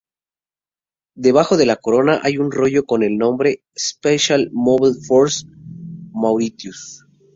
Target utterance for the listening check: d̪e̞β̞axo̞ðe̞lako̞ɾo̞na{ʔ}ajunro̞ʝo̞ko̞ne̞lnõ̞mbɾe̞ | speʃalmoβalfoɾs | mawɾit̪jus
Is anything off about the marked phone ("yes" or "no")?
no